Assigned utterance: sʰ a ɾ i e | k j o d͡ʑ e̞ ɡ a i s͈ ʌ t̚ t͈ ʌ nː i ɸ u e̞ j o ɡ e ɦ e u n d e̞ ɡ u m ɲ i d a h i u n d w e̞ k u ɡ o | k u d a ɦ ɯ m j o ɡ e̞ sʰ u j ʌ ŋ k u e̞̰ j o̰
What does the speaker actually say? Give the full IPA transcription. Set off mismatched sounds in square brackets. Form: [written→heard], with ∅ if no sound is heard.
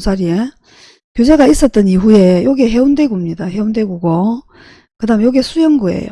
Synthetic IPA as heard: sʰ a ɾ i e | k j o d͡ʑ e̞ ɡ a i s͈ ʌ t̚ t͈ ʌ [nː→n] i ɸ u e̞ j o ɡ e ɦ e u n d e̞ ɡ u m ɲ i d a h [i→e] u n d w e̞ [k→ɡ] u ɡ o | k [u→ɯ] d a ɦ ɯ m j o ɡ e̞ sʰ u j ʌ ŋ [k→ɡ] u e̞̰ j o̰